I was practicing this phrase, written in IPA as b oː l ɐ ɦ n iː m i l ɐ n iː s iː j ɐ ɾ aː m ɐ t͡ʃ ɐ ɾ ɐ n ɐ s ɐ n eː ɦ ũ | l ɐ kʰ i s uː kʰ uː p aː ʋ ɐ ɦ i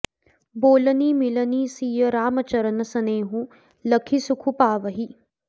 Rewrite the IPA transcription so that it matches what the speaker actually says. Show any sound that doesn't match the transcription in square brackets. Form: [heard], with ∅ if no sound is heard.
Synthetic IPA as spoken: b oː l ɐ [∅] n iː m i l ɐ n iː s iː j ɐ ɾ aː m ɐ t͡ʃ ɐ ɾ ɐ n ɐ s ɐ n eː ɦ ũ | l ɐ kʰ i s [u] kʰ [u] p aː ʋ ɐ ɦ i

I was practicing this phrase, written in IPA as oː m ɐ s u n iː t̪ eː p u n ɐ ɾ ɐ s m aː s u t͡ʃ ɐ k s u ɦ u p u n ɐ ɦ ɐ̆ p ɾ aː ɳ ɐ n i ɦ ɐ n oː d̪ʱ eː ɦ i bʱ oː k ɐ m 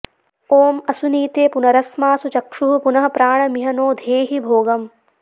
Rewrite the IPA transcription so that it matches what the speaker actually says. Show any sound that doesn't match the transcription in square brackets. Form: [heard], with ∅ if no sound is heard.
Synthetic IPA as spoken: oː m ɐ s u n iː t̪ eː p u n ɐ ɾ ɐ s m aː s u t͡ʃ ɐ k [ʂ] u ɦ u p u n ɐ ɦ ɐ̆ p ɾ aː ɳ ɐ [m] i ɦ ɐ n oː d̪ʱ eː ɦ i bʱ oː [ɡ] ɐ m

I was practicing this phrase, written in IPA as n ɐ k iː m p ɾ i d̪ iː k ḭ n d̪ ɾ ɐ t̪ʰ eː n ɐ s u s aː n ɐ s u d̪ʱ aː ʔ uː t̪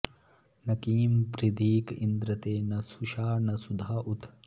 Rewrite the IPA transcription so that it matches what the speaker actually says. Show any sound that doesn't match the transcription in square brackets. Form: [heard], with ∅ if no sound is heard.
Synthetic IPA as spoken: n ɐ k iː m p ɾ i d̪ iː k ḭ n d̪ ɾ ɐ [t̪] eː n ɐ s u [ʃ] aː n ɐ s u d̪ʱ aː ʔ [u] t̪

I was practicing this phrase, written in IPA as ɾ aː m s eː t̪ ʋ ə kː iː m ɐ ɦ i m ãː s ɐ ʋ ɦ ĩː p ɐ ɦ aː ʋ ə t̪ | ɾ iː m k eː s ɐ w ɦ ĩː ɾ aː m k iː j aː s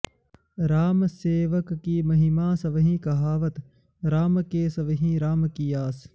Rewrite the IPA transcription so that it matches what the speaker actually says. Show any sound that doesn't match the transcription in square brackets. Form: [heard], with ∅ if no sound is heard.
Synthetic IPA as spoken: ɾ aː m s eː [∅] ʋ ə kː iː m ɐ ɦ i m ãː s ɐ ʋ ɦ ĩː [k] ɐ ɦ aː ʋ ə t̪ | ɾ [aː] m k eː s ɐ [ʋ] ɦ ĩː ɾ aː m k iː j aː s

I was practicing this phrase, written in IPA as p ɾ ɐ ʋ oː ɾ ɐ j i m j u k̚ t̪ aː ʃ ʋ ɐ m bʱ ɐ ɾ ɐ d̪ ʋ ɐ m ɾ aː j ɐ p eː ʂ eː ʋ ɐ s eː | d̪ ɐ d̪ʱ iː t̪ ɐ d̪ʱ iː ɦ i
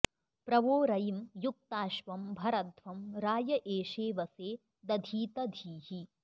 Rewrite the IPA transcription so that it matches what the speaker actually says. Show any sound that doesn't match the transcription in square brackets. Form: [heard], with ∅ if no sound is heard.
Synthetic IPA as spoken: p ɾ ɐ ʋ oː ɾ ɐ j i m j u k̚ t̪ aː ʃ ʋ ɐ m bʱ ɐ ɾ ɐ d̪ ʋ ɐ m ɾ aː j ɐ [ʔ] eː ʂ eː ʋ ɐ s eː | d̪ ɐ d̪ʱ iː t̪ ɐ d̪ʱ iː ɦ i

